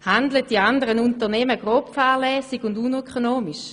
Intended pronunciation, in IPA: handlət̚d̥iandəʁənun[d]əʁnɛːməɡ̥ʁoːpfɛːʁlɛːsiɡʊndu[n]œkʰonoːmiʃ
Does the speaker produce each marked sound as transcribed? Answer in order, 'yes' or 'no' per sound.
no, yes

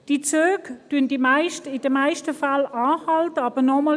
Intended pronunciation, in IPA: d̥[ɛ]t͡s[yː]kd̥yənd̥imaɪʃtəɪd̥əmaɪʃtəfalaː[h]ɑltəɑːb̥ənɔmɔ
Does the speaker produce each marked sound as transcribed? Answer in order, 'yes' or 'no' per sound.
no, no, yes

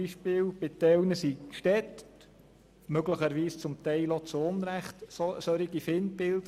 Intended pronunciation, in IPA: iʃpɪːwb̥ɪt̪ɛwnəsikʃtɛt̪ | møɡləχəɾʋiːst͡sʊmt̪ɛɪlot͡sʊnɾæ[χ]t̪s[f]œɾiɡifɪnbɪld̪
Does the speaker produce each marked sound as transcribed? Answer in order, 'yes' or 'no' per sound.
yes, no

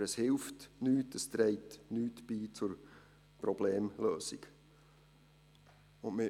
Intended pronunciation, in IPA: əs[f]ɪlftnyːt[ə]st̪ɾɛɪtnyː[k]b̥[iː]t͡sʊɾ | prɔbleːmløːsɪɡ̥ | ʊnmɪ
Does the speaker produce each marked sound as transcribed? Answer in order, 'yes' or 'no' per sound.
no, yes, no, yes

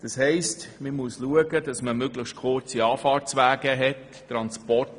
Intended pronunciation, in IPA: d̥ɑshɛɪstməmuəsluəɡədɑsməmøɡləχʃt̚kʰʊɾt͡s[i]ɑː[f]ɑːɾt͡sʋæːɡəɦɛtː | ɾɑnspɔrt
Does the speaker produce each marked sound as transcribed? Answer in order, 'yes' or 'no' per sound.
yes, yes

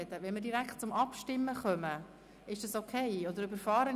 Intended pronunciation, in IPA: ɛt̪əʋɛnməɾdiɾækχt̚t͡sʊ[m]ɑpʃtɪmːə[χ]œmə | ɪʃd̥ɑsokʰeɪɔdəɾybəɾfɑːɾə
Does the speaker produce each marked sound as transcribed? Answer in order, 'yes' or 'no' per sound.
yes, yes

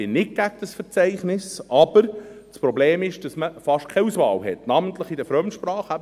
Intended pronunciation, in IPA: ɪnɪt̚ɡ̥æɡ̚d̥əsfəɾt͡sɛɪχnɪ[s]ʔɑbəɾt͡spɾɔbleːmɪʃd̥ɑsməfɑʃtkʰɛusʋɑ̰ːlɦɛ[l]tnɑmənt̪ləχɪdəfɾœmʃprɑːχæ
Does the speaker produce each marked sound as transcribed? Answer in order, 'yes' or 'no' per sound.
yes, no

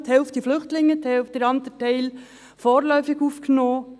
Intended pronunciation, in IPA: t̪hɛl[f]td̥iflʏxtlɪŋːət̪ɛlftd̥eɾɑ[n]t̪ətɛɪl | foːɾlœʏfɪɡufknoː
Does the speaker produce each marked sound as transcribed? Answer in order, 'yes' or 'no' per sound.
yes, yes

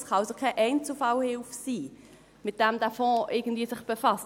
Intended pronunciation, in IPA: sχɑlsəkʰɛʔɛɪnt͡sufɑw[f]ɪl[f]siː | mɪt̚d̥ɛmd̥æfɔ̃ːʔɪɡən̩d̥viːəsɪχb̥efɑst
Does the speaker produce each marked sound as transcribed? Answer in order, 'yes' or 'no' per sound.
no, yes

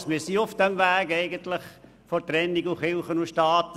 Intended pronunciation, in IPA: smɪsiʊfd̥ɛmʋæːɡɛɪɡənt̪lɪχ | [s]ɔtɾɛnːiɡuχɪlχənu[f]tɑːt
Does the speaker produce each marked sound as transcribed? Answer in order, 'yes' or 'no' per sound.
no, no

